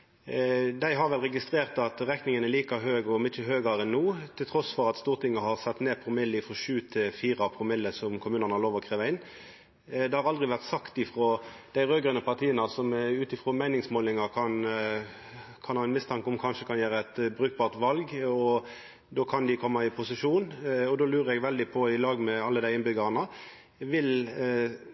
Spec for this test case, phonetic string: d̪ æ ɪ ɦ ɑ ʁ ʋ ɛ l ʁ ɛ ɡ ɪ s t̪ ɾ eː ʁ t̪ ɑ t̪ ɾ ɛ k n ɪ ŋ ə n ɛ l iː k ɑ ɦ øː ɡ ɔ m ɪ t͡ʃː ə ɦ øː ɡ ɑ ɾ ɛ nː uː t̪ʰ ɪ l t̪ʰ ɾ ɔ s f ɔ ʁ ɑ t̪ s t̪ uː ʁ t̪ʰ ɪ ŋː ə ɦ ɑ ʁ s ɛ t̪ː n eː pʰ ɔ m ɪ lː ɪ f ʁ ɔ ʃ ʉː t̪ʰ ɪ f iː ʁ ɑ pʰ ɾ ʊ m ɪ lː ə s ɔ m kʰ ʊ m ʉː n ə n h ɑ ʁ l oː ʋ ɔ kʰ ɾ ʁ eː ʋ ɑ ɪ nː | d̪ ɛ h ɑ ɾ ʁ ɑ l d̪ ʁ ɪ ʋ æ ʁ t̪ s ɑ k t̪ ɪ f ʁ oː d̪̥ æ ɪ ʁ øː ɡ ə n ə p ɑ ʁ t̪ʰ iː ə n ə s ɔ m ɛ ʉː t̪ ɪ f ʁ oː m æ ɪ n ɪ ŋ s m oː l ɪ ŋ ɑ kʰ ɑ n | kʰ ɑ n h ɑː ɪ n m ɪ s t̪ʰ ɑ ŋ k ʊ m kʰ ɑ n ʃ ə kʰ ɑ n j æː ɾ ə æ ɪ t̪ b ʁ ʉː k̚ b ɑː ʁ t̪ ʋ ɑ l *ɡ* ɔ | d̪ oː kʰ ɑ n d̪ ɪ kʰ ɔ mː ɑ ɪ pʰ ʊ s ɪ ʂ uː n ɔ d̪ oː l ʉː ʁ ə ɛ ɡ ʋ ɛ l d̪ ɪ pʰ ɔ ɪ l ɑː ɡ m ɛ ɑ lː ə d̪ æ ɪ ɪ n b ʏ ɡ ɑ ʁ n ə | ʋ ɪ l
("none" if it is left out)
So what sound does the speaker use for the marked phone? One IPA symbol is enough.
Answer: ɡ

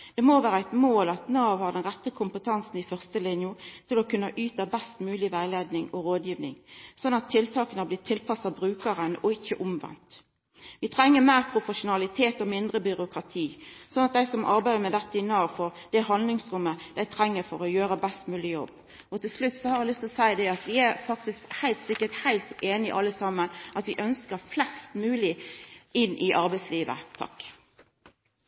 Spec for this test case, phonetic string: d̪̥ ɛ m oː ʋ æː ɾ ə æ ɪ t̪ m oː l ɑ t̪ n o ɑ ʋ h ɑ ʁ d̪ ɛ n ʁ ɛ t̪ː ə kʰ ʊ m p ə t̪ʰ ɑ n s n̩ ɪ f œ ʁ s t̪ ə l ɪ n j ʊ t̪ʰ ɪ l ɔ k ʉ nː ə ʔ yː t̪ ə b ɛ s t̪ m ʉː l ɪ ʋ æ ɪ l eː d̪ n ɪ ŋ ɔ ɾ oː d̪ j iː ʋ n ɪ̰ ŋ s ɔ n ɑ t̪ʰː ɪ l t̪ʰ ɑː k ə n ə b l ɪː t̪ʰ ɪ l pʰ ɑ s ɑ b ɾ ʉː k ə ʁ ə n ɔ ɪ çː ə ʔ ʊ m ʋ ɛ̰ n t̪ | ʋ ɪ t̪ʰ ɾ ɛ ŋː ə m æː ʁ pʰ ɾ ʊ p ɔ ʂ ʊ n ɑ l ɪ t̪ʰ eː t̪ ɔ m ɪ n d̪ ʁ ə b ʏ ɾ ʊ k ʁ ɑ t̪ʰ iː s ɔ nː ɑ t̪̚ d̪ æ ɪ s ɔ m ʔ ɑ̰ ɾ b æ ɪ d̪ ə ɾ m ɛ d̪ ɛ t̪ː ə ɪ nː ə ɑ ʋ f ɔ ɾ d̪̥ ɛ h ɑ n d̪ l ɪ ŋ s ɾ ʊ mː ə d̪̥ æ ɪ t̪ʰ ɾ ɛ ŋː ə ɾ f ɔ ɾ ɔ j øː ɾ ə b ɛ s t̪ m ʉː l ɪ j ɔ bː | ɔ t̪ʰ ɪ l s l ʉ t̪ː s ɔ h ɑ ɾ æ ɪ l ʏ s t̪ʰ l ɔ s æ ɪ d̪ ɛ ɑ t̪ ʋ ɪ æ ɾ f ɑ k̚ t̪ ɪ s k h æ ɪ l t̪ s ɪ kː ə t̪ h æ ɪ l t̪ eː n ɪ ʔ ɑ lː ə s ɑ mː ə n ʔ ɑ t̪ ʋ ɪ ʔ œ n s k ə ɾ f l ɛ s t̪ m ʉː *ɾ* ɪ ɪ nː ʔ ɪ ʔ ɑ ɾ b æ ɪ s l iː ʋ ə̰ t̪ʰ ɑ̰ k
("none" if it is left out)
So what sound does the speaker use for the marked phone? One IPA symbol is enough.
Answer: l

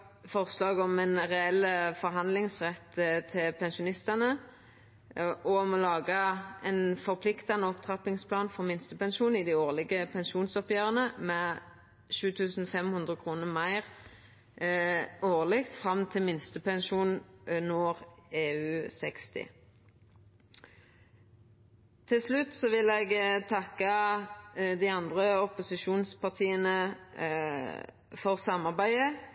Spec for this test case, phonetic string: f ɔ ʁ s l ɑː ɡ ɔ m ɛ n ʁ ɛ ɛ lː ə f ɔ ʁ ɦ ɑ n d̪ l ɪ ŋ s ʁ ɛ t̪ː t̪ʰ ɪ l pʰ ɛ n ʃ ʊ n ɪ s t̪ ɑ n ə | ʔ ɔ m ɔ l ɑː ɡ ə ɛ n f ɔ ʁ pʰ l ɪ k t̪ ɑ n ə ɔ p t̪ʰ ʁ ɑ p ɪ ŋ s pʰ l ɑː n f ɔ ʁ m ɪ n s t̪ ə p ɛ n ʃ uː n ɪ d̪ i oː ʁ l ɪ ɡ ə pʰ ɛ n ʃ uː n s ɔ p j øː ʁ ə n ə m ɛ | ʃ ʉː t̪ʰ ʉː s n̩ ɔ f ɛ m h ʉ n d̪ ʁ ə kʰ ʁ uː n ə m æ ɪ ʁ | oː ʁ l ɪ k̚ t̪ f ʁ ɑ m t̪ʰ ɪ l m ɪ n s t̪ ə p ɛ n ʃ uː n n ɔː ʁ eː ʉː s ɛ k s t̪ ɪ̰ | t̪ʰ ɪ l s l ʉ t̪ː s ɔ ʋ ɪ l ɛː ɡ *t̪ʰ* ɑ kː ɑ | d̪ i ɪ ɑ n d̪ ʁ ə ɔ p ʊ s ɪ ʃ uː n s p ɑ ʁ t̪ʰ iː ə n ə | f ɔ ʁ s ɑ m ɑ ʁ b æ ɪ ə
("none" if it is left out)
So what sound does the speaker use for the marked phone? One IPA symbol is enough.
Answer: t̪ʰ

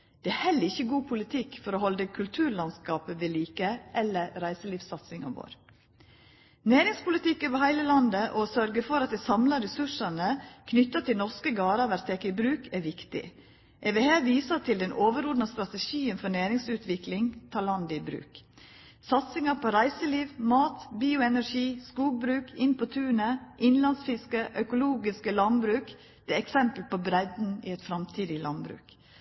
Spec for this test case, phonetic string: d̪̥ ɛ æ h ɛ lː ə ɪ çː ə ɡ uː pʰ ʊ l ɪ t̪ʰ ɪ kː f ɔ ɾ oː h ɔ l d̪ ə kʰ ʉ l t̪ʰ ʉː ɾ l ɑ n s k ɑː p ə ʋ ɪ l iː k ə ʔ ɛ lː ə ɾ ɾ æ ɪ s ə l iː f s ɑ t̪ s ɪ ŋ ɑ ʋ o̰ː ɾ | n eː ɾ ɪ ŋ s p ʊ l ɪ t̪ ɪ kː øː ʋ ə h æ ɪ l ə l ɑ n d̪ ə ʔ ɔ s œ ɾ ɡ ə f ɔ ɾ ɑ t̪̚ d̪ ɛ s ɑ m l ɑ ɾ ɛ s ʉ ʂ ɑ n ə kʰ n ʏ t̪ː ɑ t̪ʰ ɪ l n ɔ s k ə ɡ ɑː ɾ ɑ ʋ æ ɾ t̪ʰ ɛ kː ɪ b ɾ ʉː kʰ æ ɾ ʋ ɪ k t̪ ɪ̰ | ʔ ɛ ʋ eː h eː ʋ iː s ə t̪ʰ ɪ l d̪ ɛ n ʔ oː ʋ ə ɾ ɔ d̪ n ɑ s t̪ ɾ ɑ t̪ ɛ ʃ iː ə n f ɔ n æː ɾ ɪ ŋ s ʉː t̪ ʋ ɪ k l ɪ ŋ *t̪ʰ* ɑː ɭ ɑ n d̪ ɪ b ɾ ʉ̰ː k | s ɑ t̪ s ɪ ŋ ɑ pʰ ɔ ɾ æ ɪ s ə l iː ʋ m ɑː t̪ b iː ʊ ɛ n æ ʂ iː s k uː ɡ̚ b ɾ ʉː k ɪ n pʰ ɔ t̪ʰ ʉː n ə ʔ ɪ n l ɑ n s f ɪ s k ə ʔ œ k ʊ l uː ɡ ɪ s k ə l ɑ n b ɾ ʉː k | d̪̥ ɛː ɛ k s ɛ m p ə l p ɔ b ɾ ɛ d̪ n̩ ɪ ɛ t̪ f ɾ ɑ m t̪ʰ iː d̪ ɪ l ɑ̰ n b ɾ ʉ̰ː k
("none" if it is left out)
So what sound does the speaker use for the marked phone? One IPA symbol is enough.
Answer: t̪ʰ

